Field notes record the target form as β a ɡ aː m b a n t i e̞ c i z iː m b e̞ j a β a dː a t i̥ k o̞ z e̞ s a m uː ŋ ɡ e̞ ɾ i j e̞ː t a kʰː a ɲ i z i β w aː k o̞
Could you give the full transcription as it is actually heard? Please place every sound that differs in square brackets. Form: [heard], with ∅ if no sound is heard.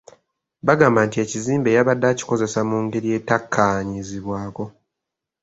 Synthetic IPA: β a ɡ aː m b a n t i e̞ c i z iː m b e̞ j a β a dː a [c] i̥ k o̞ z e̞ s a m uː ŋ ɡ e̞ ɾ i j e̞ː t a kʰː a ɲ i z i β w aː k o̞

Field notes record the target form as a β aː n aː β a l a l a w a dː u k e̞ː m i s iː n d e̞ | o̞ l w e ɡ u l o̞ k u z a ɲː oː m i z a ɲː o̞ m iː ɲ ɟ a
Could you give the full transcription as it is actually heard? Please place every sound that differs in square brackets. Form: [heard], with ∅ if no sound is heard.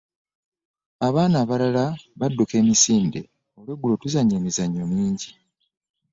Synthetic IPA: a β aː n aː β a l a l a [β] a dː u k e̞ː m i s iː n d e̞ | o̞ l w e ɡ u l o̞ [t] u z a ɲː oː m i z a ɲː o̞ m iː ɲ ɟ [i]

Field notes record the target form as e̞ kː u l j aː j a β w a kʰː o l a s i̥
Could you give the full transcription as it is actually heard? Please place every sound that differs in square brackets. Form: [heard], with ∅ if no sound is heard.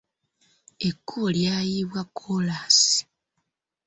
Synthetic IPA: e̞ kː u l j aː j [i] β w a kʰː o l a s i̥

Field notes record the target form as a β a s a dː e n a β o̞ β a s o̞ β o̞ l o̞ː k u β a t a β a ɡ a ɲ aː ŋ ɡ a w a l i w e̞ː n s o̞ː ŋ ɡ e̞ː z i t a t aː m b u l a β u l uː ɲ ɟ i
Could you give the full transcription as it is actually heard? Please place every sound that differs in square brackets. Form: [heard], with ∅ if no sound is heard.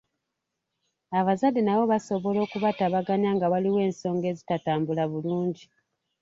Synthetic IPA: a β a [z] a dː e n a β o̞ β a s o̞ β o̞ l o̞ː k u β a t a β a ɡ a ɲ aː ŋ ɡ a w a l i w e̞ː n s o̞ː ŋ ɡ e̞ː z i t a t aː m b u l a β u l uː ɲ ɟ i

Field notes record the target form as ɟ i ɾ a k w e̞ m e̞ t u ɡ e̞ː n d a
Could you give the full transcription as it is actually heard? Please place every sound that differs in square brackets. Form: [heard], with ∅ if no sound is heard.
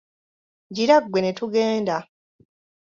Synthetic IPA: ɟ i ɾ a [ɡ] w e̞ [n] e̞ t u ɡ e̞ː n d a

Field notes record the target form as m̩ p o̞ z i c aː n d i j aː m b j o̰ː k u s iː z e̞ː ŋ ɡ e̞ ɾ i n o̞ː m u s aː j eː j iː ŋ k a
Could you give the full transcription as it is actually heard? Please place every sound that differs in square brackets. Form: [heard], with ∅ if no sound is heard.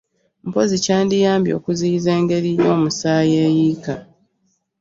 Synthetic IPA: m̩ p o̞ z i c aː n d i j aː m b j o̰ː k u [z] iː z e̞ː ŋ ɡ e̞ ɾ i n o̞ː m u s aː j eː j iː [∅] k a

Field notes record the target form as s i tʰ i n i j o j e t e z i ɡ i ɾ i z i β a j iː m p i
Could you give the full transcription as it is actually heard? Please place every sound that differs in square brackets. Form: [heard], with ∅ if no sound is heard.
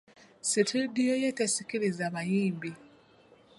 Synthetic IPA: s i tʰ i [d] i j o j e t e [s] i [k] i ɾ i z [a] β a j iː m [b] i

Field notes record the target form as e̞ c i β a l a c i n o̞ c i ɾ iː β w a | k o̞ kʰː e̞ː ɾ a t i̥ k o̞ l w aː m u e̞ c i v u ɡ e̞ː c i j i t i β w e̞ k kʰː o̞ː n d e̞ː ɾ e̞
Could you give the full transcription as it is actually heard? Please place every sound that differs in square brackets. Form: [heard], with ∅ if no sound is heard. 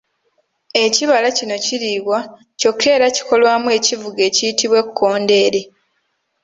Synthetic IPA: e̞ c i β a l a c i n o̞ c i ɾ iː β w a | [c] o̞ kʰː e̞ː ɾ a [c] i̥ k o̞ l w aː m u e̞ c i v u ɡ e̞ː c i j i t i β w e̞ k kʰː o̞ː n d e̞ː ɾ e̞

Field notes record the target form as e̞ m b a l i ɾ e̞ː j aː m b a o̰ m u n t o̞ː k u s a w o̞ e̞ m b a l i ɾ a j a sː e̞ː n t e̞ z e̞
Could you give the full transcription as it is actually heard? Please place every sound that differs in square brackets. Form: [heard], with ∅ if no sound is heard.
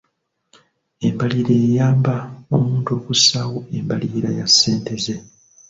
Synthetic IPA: e̞ m b a l i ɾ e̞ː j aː m b a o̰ m [uː] n t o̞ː k u s a w o̞ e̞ m b a l i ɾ a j a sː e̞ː n t e̞ z e̞

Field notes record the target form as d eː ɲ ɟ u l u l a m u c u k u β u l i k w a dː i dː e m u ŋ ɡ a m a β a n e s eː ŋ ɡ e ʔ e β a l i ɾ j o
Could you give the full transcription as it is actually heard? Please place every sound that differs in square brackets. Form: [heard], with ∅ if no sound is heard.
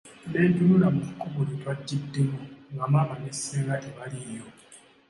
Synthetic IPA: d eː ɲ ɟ u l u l a m u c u k u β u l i [t] w a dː i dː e m u ŋ ɡ a m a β a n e s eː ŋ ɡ [a] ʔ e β a l i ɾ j o

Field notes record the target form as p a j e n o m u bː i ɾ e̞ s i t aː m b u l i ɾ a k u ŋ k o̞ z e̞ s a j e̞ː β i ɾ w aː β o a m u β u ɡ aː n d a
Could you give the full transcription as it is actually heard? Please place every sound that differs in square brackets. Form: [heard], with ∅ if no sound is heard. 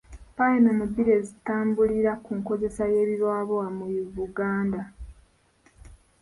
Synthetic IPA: p a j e n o m u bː i ɾ e̞ [z] i t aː m b u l i ɾ a k u ŋ k o̞ z e̞ s a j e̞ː β i ɾ w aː β o a m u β u ɡ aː n d a

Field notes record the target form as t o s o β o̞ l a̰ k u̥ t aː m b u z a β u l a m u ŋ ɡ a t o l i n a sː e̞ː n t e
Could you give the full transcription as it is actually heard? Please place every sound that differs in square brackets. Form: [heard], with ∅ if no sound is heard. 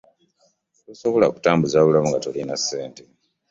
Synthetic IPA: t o s o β o̞ l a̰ k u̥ t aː m b u z a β u l a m u ŋ ɡ a t o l i n a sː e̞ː n t e

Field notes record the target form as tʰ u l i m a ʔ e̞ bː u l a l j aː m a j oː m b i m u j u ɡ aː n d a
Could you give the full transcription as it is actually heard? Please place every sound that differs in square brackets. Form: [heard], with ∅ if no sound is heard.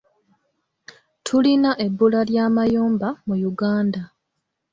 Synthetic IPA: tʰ u l i [n] a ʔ e̞ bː u l a l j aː m a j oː m b [a] m u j u ɡ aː n d a

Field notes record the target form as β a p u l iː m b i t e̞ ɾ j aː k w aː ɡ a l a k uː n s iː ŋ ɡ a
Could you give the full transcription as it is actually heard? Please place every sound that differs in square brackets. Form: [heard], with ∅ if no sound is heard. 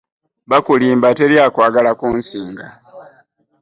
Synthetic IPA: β a [k] u l iː m b [a] t e̞ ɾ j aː k w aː ɡ a l a k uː n s iː ŋ ɡ a

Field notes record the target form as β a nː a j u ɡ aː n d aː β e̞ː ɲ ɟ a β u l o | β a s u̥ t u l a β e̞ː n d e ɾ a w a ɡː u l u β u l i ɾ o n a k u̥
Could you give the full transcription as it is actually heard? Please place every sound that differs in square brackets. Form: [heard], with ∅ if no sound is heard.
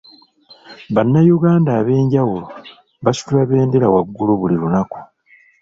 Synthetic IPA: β a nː a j u ɡ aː n d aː β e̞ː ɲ ɟ a [w] u l o | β a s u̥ t u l a β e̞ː n d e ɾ a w a ɡː u l u β u l i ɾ [u] n a k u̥

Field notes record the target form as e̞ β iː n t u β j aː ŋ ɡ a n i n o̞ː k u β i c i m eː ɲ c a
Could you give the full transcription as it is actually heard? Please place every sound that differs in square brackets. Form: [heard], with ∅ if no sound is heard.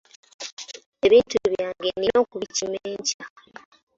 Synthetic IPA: e̞ β iː n t u β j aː ŋ ɡ [e] n i n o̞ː k u β i c i m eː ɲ c a

